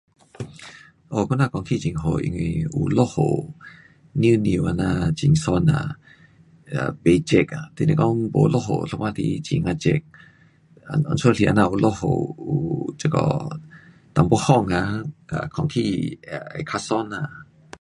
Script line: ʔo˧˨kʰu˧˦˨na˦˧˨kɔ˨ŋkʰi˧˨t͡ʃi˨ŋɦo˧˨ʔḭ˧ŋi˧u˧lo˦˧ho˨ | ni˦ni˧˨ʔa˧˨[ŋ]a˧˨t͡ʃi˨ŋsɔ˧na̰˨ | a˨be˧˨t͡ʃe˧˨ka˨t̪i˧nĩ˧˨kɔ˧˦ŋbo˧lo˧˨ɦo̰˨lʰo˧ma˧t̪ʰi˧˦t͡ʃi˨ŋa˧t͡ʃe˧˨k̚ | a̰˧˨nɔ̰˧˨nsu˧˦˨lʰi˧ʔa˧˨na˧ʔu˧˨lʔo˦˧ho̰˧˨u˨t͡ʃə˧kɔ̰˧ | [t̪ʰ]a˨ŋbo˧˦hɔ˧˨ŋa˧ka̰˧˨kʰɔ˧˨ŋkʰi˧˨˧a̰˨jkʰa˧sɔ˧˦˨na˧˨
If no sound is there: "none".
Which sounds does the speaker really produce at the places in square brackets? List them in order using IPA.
n, t̪

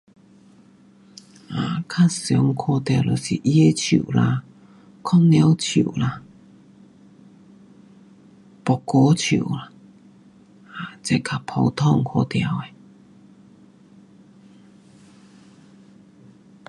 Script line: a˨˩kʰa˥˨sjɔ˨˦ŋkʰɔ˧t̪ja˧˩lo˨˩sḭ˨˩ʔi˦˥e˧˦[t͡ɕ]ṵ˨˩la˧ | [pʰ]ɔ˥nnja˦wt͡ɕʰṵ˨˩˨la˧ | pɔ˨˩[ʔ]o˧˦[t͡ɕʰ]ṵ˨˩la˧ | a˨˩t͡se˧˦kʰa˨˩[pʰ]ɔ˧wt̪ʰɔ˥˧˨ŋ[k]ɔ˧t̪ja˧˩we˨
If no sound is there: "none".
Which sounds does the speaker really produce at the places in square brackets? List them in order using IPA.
t͡ɕʰ, kʰ, k, t͡ɕʰ, pʰ, kʰ

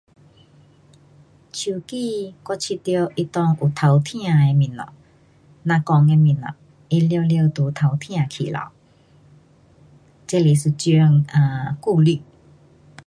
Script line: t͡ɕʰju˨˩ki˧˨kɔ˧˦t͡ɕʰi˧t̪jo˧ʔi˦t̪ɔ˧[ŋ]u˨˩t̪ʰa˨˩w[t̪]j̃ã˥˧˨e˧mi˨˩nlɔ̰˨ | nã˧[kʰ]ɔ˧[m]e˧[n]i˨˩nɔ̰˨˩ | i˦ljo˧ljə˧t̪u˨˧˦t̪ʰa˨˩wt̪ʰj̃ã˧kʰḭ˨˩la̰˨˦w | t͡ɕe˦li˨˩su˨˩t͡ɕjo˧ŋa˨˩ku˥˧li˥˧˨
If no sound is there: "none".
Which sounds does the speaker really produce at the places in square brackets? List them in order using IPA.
ŋ, t̪ʰ, k, ŋ, m

